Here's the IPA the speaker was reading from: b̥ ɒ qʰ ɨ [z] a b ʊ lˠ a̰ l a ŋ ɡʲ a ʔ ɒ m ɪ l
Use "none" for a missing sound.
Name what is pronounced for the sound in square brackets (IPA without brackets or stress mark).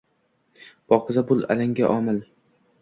z